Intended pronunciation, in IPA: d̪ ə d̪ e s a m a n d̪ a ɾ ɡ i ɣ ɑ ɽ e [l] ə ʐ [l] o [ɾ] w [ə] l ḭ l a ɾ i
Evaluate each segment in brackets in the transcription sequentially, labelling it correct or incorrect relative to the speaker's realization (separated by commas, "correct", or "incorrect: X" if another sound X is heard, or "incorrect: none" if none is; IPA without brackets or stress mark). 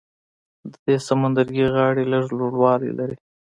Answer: correct, correct, incorrect: ɽ, incorrect: ɑ